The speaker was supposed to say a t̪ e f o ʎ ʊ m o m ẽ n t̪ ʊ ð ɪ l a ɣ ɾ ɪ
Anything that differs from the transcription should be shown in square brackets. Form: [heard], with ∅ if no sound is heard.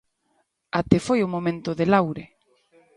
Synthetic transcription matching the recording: a t̪ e f o [j] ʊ m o m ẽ n t̪ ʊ ð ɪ l a [w] ɾ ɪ